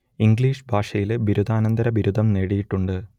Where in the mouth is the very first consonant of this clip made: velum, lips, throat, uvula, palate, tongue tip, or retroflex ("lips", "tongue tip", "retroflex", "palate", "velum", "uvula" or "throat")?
velum